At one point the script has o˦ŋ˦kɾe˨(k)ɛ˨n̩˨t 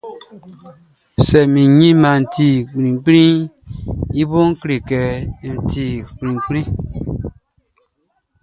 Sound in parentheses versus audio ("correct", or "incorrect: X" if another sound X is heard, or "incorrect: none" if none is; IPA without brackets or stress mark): correct